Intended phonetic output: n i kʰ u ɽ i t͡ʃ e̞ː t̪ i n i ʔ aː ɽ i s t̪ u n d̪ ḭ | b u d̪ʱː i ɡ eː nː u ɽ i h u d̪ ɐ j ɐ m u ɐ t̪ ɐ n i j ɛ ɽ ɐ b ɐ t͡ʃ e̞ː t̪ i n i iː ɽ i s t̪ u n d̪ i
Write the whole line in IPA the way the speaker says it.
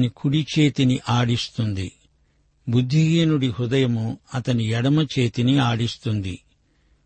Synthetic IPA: n i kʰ u ɽ i t͡ʃ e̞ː t̪ i n i ʔ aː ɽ i s t̪ u n d̪ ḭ | b u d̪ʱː i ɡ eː n u ɽ i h u d̪ ɐ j ɐ m u ɐ t̪ ɐ n i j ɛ ɽ ɐ m ɐ t͡ʃ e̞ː t̪ i n i aː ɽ i s t̪ u n d̪ i